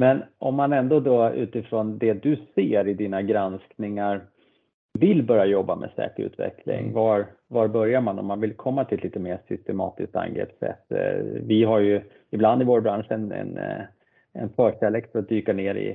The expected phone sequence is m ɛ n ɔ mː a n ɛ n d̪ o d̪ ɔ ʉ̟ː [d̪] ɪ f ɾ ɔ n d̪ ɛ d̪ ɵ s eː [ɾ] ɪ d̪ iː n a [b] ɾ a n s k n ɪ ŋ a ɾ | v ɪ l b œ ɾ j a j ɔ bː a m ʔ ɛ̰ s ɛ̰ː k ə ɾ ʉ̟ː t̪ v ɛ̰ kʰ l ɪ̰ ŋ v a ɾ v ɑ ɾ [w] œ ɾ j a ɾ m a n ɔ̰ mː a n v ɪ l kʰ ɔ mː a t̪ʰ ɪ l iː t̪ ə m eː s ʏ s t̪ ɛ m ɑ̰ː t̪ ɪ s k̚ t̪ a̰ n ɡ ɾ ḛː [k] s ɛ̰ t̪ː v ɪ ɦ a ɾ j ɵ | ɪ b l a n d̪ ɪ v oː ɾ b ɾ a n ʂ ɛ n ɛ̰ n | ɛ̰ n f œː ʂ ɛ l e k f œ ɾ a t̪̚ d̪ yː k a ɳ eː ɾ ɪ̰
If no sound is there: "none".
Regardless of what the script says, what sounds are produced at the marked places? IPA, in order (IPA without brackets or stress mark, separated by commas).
t̪, ɾ, ɡ, b, p